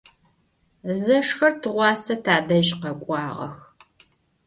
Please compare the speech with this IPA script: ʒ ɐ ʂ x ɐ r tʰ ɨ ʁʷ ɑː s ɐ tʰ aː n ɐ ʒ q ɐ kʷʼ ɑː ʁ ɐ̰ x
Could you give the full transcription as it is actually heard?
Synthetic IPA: z ɐ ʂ x ɐ r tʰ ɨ ʁʷ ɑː s ɐ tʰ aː d ɐ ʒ q ɐ kʷʼ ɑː ʁ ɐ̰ x